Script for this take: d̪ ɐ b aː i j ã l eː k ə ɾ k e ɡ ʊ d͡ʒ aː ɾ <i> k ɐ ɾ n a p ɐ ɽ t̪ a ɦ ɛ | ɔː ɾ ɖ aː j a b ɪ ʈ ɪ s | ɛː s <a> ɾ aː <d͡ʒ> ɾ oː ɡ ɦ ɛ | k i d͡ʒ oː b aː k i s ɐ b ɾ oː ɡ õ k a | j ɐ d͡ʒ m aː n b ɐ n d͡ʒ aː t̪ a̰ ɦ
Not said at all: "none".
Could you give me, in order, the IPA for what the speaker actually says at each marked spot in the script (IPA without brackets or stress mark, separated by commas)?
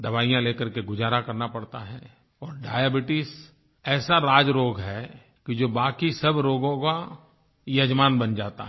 a, a, d͡ʒ